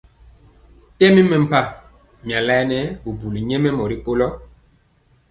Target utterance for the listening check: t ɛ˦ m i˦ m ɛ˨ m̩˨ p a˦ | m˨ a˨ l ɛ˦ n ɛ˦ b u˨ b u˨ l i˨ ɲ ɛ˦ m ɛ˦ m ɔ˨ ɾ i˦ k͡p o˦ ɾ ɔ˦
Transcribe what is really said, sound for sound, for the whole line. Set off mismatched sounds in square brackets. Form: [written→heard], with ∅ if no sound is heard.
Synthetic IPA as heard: t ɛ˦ m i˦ m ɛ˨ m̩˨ p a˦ | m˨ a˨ l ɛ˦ n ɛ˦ b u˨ b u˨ l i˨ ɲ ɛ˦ m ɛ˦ m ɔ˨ ɾ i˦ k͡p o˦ [ɾ→l] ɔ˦